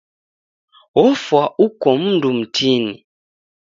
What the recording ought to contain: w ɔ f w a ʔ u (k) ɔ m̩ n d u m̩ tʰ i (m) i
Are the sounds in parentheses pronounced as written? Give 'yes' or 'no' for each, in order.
yes, no

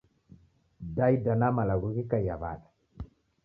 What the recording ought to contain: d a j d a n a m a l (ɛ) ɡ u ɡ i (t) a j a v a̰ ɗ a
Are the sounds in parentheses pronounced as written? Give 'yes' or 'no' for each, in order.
no, no

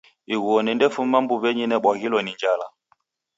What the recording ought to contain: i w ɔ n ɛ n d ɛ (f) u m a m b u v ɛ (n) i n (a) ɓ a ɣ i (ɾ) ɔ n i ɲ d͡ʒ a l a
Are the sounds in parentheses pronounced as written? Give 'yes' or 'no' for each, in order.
yes, no, no, no

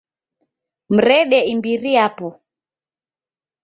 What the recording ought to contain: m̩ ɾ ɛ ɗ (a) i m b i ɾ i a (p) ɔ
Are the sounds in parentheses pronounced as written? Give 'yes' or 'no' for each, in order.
no, yes

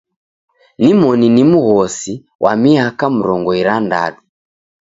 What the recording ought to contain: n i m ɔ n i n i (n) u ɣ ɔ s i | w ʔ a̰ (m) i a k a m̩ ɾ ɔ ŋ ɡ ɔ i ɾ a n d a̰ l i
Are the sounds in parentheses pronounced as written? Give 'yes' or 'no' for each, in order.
no, yes

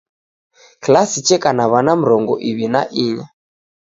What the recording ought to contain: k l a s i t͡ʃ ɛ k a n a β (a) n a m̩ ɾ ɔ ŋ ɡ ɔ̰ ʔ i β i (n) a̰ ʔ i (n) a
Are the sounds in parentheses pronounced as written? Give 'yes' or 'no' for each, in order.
yes, yes, no

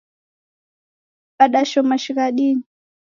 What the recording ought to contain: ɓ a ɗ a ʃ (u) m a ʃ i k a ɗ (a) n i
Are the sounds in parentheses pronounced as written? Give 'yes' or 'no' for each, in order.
no, no

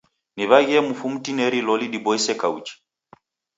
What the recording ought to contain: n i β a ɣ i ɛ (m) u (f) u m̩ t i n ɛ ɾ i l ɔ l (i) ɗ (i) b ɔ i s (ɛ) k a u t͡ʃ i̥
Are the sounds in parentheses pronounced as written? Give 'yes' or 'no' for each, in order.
yes, yes, yes, yes, yes

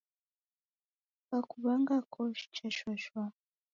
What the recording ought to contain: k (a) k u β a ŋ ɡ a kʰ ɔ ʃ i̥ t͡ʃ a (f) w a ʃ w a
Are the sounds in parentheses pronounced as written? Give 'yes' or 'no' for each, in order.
yes, no

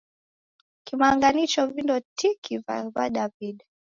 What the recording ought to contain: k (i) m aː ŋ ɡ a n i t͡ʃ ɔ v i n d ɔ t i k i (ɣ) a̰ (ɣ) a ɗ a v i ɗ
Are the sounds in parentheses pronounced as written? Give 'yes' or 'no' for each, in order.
yes, no, no

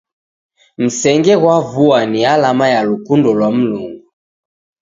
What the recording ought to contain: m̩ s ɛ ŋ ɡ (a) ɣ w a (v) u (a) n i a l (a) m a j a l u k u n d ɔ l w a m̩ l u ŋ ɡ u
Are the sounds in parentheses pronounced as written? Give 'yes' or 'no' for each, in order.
no, yes, yes, yes

